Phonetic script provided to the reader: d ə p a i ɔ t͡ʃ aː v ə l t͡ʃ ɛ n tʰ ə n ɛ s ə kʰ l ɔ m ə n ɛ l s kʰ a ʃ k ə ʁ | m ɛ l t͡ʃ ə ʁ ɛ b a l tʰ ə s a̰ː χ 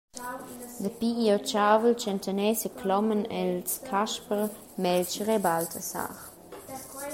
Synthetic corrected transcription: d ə p i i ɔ t͡ʃ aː v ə l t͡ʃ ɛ n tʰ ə n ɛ s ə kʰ l ɔ m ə n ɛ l s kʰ a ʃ p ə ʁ | m ɛ l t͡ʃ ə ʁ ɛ b a l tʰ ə s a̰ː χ